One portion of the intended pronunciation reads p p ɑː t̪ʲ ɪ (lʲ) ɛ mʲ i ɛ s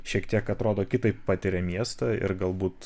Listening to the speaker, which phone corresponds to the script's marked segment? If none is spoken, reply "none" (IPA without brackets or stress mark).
ɾʲ